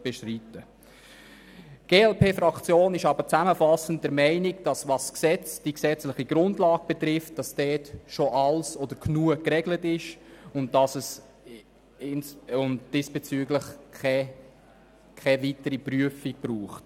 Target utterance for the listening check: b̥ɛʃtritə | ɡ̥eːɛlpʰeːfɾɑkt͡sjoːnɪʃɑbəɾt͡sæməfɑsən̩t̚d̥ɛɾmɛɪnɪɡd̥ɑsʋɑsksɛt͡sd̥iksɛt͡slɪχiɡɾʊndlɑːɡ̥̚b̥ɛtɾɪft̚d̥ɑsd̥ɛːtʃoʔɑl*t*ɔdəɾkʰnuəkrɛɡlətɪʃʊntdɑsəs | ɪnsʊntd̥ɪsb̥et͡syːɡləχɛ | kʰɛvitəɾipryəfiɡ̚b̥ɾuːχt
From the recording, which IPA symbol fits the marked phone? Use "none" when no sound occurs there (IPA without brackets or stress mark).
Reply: s